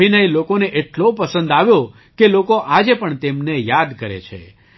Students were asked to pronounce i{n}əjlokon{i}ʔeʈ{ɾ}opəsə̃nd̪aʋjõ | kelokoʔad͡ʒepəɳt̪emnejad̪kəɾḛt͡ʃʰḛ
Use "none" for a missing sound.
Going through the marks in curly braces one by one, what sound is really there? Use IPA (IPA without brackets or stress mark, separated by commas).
n, e, l